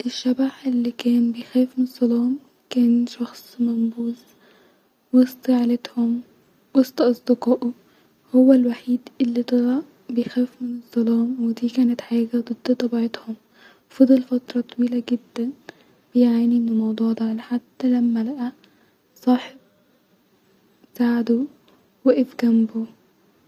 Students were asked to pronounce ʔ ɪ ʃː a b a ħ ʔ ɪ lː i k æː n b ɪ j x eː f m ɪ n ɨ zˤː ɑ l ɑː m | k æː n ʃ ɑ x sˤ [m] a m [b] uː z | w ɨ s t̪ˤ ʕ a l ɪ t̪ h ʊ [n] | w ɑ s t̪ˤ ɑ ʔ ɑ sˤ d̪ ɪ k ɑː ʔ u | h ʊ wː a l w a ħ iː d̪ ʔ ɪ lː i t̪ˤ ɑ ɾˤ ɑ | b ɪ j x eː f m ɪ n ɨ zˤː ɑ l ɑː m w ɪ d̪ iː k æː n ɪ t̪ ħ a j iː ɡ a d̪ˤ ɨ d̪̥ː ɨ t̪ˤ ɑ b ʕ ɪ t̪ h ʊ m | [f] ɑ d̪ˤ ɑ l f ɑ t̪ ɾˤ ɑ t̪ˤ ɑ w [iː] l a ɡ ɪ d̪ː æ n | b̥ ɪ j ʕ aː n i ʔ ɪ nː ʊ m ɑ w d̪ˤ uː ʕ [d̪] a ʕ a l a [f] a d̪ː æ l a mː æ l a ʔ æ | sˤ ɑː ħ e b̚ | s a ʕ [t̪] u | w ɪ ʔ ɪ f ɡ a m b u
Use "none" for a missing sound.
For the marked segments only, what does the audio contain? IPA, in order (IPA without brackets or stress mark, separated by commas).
m, b, m, f, iː, d̪, ħ, d̪